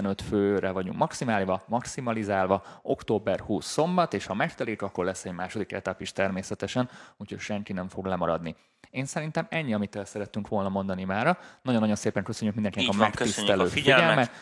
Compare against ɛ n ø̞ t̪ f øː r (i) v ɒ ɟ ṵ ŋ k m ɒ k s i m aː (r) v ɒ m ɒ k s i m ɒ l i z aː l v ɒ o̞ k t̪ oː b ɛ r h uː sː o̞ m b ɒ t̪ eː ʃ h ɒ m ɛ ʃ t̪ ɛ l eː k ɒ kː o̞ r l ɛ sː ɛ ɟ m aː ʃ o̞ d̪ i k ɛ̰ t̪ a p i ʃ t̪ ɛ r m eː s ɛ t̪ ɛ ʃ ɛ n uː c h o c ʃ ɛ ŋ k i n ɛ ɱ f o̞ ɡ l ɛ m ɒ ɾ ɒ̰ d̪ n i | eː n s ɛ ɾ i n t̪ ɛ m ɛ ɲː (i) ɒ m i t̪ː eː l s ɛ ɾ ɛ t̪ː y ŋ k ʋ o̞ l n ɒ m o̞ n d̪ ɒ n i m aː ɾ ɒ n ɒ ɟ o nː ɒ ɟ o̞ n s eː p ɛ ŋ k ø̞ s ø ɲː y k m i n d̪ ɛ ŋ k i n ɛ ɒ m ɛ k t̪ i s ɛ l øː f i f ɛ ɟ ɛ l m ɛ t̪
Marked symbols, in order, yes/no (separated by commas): no, no, yes